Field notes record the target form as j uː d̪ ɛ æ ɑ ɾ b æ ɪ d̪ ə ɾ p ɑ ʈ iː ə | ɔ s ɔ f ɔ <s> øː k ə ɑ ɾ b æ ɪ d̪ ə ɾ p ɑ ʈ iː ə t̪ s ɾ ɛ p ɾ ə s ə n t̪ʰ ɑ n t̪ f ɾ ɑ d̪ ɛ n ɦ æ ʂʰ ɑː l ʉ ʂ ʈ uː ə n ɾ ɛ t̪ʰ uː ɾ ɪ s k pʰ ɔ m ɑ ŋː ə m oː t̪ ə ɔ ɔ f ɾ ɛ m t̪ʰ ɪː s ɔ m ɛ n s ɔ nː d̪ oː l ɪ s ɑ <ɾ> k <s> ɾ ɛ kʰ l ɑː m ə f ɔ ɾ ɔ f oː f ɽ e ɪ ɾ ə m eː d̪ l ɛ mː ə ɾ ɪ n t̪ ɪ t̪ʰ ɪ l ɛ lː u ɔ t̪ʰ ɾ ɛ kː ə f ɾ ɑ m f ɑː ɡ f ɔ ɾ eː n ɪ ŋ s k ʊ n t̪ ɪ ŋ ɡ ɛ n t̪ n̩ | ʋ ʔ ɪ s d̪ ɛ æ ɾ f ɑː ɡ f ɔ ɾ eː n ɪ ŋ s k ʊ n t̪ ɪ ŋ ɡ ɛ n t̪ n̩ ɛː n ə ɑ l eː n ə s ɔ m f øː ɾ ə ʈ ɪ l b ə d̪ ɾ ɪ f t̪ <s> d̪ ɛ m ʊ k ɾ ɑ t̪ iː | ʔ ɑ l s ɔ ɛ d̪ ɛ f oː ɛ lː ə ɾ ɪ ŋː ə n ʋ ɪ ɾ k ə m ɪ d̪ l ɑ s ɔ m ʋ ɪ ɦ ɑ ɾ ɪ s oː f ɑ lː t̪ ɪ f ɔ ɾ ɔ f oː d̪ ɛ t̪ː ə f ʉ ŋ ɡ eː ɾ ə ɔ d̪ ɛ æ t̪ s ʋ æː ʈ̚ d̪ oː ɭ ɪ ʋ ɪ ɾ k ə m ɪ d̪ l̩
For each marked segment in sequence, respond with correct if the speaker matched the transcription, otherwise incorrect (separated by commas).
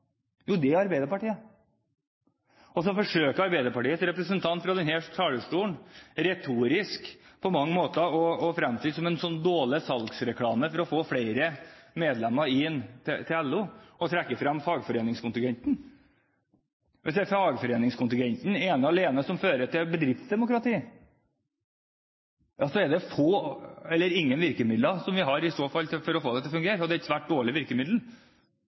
incorrect, incorrect, correct, correct